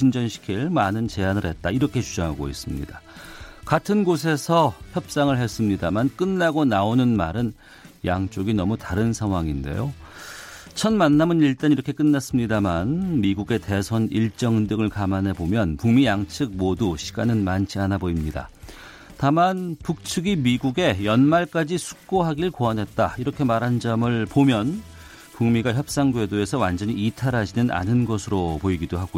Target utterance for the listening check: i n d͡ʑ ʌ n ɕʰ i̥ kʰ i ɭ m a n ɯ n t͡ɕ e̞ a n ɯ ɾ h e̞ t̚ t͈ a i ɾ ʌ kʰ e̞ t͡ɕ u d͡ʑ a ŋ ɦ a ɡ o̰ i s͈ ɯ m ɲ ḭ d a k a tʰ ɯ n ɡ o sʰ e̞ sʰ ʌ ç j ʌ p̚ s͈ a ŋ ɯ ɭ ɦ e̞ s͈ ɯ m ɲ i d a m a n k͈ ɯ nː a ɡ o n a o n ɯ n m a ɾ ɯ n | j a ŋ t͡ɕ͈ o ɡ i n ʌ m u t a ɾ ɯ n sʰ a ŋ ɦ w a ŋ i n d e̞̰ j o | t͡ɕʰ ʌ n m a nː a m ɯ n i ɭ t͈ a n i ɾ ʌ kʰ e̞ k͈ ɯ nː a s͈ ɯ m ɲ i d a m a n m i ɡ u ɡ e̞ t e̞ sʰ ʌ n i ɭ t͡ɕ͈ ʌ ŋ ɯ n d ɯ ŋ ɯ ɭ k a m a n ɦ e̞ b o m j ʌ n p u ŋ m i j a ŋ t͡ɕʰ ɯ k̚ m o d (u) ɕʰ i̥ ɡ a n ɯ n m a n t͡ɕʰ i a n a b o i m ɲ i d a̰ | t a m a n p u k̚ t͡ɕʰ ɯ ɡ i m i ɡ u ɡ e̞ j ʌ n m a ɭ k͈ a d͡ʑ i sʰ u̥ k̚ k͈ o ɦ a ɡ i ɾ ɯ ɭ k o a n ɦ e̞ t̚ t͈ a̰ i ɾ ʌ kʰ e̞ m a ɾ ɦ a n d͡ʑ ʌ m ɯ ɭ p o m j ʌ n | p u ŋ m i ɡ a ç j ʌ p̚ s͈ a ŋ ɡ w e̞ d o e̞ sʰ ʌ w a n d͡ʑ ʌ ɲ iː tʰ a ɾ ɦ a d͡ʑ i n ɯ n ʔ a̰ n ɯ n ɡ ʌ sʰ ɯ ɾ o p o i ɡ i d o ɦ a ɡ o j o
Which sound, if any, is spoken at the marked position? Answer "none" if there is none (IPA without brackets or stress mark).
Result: u